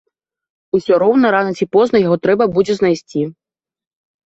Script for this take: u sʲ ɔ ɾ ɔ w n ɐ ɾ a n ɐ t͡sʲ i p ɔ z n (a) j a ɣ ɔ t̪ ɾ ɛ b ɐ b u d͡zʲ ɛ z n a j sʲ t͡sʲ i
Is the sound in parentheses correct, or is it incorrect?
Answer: incorrect